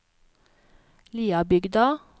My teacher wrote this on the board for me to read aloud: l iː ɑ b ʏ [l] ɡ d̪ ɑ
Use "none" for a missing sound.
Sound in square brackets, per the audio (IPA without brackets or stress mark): none